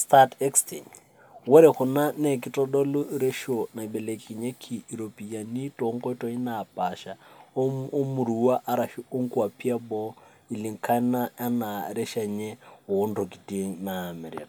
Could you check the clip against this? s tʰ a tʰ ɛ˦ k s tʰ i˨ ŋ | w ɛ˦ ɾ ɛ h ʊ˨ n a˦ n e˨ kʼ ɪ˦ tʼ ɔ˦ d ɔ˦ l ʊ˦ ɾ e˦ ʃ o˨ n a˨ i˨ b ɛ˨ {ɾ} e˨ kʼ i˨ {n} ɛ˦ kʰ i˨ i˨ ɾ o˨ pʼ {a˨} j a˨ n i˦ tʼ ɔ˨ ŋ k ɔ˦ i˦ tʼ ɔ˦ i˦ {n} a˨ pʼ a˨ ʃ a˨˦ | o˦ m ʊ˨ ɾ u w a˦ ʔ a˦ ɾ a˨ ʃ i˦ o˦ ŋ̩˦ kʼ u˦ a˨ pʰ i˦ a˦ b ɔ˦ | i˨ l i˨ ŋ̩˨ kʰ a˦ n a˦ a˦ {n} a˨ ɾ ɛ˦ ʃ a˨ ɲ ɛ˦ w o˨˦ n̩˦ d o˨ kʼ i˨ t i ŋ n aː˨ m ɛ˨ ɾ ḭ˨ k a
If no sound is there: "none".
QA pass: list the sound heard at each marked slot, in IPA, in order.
l, ɲ, i˨, n, n

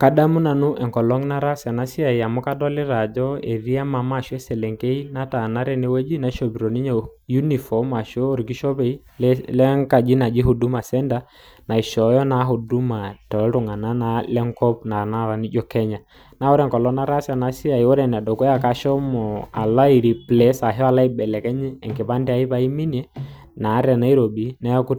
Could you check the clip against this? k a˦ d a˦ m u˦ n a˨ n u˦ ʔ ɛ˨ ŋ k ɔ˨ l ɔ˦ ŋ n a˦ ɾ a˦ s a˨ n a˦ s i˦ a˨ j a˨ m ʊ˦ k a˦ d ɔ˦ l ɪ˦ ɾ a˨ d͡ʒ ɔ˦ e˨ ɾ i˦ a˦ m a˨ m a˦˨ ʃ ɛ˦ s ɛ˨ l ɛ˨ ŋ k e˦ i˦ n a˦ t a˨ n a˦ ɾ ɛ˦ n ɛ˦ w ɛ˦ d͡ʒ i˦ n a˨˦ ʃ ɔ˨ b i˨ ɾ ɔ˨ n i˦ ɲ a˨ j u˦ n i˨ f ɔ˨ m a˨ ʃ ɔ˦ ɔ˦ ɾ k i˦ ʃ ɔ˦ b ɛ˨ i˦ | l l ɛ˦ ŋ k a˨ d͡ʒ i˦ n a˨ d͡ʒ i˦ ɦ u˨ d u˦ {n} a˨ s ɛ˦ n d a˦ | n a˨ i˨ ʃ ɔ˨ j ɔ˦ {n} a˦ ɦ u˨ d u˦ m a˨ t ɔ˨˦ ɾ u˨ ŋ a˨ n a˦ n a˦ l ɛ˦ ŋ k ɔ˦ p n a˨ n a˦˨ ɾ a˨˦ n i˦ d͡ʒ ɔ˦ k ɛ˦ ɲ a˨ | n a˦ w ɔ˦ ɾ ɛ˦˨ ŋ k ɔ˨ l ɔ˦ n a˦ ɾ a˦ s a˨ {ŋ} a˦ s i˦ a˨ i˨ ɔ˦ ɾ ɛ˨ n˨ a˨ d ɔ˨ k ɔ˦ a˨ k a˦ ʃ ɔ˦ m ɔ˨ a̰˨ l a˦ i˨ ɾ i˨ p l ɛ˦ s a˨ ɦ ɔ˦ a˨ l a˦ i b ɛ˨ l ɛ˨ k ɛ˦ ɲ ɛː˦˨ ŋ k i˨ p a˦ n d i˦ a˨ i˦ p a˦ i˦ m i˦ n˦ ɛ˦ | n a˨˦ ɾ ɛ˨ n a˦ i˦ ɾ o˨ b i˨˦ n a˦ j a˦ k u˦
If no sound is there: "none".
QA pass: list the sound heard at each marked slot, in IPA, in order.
m, n, n

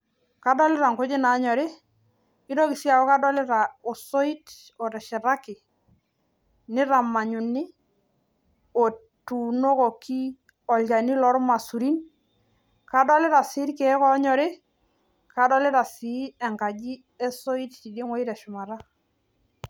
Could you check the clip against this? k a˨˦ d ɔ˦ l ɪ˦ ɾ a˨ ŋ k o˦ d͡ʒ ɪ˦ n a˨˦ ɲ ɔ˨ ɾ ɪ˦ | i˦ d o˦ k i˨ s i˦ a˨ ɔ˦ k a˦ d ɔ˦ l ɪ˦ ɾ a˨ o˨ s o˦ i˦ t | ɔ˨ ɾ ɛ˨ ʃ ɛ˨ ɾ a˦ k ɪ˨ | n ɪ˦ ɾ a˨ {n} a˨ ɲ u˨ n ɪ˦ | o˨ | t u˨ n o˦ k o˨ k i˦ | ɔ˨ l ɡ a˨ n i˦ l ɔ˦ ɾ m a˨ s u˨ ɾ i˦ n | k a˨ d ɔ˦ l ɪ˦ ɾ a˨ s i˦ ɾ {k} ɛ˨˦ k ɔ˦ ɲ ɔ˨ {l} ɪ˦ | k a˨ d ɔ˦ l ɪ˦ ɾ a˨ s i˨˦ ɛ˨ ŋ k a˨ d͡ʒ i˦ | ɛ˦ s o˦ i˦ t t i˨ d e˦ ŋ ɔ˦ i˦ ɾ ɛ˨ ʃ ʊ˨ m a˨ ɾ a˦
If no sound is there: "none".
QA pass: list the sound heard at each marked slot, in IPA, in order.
m, k, ɾ

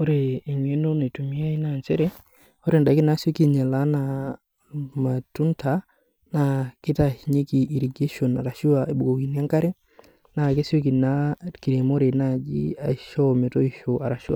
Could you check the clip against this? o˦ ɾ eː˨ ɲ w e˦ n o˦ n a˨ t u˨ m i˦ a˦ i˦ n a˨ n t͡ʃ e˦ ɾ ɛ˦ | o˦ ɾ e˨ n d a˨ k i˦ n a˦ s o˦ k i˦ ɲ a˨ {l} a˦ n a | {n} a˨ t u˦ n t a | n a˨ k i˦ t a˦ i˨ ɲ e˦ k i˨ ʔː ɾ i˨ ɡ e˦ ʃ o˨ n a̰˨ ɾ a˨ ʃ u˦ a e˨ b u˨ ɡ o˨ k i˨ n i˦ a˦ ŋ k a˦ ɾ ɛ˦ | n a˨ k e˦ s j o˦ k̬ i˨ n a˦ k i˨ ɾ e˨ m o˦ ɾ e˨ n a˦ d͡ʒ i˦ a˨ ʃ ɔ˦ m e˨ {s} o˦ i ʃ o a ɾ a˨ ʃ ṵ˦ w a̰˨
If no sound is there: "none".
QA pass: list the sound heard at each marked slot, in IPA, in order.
l, m, t

